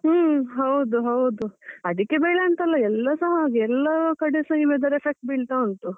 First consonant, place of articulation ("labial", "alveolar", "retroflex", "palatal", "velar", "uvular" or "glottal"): glottal